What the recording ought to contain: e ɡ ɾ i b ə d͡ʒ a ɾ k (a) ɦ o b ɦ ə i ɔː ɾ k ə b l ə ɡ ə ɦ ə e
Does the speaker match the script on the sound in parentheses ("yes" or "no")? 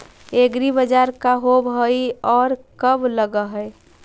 yes